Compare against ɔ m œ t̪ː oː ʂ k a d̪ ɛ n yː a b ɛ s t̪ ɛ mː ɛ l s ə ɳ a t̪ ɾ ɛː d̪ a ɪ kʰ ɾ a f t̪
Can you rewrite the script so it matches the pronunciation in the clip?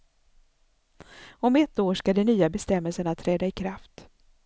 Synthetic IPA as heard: ɔ m ɛ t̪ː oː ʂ k a d̪ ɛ n yː a b ɛ s t̪ ɛ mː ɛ l s ə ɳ a t̪ʰ ɾ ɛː d̪ a ɪ kʰ ɾ a f t̪

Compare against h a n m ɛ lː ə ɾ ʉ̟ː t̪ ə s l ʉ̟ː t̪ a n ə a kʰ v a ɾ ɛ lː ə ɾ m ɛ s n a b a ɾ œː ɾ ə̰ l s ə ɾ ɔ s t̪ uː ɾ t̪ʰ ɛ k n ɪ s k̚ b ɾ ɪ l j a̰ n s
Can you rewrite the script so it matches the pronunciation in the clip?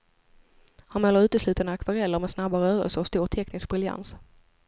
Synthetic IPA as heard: h a n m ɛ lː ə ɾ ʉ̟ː t̪ ə s l ʉ̟ː t̪ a n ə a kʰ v a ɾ ɛ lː ə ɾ m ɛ s n a b a ɾ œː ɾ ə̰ l s ə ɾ ɔ s t̪ uː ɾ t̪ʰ ɛ k n ɪ s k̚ b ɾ ɪ l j a̰ n s

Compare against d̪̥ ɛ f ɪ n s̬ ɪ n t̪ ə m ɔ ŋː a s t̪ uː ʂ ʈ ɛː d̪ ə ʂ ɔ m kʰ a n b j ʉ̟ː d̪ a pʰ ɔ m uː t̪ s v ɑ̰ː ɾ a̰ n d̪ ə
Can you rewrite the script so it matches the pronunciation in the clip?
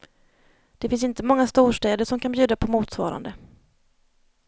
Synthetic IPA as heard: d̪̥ ɛ f ɪ n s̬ ɪ n t̪ ə m ɔ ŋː a s t̪ uː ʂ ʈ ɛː d̪ ə ʂ ɔ m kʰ a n b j ʉ̟ː d̪ a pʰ ɔ m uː t̪ s v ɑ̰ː ɾ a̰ n d̪ ə

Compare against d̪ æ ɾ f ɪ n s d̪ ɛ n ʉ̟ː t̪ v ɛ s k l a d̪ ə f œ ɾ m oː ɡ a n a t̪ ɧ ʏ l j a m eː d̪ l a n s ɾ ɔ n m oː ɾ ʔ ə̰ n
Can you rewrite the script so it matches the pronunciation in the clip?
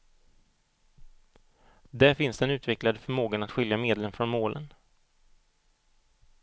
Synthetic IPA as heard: d̪ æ ɾ f ɪ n s d̪ ɛ n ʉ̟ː t̪ v ɛ k l a d̪ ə f œ ɾ m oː ɡ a n a t̪ ɧ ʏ l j a m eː d̪ l ə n f ɾ ɔ n m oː l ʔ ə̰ n

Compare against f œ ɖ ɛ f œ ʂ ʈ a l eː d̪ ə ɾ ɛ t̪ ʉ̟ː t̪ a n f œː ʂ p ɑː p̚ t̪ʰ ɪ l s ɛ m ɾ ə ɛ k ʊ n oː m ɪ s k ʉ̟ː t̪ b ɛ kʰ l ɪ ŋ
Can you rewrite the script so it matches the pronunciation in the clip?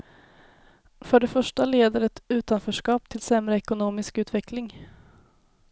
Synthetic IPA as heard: f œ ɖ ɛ f œ ʂ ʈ a l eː d̪ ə ɾ ɛ t̪ ʉ̟ː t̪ a n f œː ʂ k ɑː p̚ t̪ʰ ɪ l s ɛ m ɾ ə ɛ k ʊ n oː m ɪ s k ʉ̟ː t̪ v ɛ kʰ l ɪ ŋ

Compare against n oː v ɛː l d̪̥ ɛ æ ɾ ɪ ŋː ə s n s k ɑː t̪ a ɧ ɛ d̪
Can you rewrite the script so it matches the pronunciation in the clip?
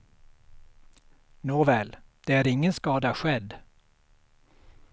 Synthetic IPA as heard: n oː v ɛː l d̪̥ ɛ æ ɾ ɪ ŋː ə n s k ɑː d̪ a ɧ ɛ d̪

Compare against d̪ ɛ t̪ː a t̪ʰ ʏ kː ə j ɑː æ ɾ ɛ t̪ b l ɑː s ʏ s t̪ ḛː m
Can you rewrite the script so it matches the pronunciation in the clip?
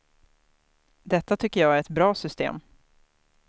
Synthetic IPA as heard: d̪ ɛ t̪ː a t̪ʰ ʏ kː ə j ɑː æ ɾ ɛ t̪ b ɾ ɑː s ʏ s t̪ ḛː m

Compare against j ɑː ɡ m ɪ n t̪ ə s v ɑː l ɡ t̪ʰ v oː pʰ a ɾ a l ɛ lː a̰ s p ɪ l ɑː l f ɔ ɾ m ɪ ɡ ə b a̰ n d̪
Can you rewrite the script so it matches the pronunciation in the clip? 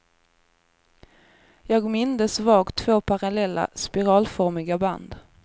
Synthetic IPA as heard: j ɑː ɡ m ɪ n d̪ ə s v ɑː ɡ t̪ʰ v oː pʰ a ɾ a l ɛ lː a̰ s p ɪ ɾ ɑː l f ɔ ɾ m ɪ ɡ a b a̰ n d̪

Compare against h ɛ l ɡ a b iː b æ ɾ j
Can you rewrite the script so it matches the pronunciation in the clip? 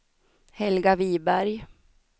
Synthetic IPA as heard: h ɛ l ɡ a v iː b æ ɾ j

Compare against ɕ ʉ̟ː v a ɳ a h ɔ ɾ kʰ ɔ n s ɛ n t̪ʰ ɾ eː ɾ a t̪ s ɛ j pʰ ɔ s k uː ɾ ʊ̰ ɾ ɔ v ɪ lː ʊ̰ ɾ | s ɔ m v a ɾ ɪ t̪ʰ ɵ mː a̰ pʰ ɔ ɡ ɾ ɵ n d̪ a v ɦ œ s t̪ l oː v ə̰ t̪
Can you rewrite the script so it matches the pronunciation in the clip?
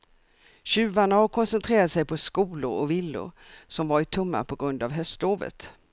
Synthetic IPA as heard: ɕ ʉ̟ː v a ɳ a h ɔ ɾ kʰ ɔ n s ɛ n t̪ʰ ɾ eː ɾ a t̪ s ɛ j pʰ ɔ s k uː l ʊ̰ ɾ ɔ v ɪ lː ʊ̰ ɾ | s ɔ m v a ɾ ɪ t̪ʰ ɵ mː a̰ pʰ ɔ ɡ ɾ ɵ n d̪ a v ɦ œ s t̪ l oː v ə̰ t̪

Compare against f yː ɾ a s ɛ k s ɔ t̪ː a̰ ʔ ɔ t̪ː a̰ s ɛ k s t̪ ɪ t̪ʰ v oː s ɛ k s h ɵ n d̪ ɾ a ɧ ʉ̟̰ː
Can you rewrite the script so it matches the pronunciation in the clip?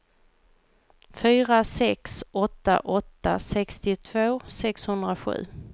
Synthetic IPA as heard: f yː ɾ a s ɛ k s ɔ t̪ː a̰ ʔ ɔ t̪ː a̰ s ɛ k s t̪ ɪ t̪ʰ v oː s ɛ k s h ɵ n d̪ ɾ a ɧ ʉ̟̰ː

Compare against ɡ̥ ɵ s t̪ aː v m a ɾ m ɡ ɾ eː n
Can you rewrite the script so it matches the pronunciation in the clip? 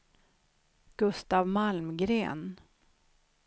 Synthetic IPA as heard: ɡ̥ ɵ s t̪ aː v m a l m ɡ ɾ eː n

